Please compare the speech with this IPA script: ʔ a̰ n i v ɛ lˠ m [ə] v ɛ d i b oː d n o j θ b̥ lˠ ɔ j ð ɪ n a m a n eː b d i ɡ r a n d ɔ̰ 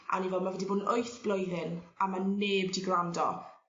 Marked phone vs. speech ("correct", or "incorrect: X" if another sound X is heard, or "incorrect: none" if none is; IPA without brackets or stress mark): incorrect: a